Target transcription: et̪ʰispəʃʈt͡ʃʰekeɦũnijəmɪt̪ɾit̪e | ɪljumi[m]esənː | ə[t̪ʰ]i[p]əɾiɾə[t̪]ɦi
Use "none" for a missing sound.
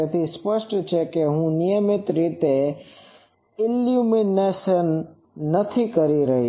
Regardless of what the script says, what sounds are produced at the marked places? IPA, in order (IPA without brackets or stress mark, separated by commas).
n, t̪ʰ, k, none